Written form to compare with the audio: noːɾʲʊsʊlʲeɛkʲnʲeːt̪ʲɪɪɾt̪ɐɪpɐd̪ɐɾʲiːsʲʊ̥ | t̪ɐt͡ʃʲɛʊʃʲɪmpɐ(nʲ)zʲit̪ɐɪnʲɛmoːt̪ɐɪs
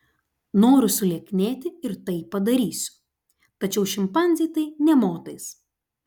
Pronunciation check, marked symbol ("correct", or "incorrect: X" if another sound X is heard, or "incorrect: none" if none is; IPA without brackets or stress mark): correct